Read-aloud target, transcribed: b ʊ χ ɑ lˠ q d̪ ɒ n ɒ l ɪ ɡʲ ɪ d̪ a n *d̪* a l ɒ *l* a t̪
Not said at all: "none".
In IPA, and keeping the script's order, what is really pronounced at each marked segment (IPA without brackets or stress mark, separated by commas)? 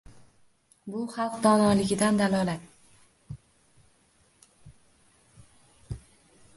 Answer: d̪, l